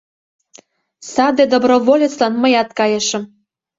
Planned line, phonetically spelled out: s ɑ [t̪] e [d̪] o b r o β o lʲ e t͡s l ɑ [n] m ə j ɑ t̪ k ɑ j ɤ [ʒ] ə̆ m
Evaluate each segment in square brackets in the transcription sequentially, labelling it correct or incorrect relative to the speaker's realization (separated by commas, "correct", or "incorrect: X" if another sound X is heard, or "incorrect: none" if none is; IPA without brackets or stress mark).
incorrect: d̪, correct, correct, incorrect: ʃ